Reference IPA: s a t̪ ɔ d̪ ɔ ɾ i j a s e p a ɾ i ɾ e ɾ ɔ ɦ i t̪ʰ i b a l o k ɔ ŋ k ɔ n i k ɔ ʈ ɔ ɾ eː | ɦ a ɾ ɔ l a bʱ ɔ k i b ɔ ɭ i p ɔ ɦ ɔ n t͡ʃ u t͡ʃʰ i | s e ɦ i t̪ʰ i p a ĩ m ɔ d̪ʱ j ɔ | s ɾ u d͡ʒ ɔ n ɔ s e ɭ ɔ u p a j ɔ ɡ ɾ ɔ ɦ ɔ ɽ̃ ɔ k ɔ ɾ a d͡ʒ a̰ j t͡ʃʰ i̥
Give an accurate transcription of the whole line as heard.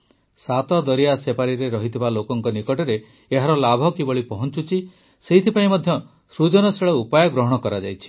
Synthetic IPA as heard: s a t̪ ɔ d̪ ɔ ɾ i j a s e p a ɾ i ɾ e ɾ ɔ ɦ i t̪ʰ i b a l o k ɔ ŋ k ɔ n i k ɔ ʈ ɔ ɾ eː | ɦ a ɾ ɔ l a bʱ ɔ k i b ɔ ɭ i p ɔ ɦ ɔ n t͡ʃ u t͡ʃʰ i | s e ɦ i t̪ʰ i p a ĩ m ɔ d̪ʱ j ɔ | s ɾ u d͡ʒ ɔ n ɔ s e ɭ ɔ u p a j ɔ ɡ ɾ ɔ ɦ ɔ ɽ̃ ɔ k ɔ ɾ a d͡ʒ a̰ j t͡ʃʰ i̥